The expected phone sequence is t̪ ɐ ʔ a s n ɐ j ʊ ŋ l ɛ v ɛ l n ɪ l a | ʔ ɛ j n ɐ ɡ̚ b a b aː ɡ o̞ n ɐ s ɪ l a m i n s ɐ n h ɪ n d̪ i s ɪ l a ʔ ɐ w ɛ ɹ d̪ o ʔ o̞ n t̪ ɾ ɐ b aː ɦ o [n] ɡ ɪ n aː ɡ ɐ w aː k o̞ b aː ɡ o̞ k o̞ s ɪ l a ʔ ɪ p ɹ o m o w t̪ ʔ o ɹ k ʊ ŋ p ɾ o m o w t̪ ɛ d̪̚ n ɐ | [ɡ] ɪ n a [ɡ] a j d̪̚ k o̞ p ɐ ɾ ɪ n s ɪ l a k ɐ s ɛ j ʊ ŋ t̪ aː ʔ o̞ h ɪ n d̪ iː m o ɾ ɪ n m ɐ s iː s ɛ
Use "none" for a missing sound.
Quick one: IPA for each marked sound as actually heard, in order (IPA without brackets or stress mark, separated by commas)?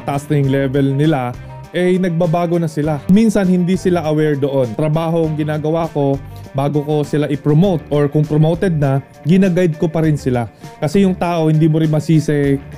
ŋ, ɡ, ɡ